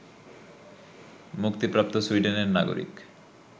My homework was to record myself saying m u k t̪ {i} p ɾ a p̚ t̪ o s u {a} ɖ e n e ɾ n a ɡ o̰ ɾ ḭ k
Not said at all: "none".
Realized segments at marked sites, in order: i, i

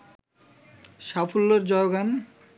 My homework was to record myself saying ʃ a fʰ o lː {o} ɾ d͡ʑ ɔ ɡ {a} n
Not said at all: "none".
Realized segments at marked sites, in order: o, a

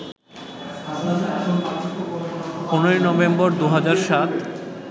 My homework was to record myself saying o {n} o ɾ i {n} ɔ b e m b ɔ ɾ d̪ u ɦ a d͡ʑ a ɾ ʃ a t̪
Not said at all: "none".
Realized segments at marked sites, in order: n, n

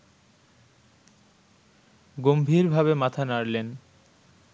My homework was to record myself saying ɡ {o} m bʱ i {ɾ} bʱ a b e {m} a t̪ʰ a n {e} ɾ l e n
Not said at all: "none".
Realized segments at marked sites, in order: o, ɾ, m, a

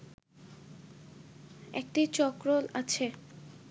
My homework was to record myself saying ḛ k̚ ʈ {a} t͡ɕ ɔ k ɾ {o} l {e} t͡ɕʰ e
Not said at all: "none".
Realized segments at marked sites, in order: i, o, a

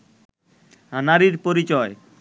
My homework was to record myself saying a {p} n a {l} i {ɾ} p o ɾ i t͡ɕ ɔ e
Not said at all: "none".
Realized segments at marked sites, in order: none, ɾ, ɾ

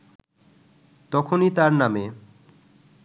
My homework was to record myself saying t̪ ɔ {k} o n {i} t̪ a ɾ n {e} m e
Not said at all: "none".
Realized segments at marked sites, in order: kʰ, i, a

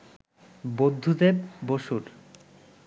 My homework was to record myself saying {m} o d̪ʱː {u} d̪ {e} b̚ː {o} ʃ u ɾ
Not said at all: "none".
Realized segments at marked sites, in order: b, u, e, o

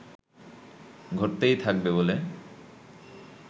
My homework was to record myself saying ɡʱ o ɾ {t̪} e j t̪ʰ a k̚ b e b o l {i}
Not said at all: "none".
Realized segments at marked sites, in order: t̪, e

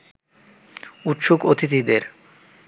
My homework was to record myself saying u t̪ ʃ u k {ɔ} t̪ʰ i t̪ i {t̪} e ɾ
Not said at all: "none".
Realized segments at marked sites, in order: o, d̪

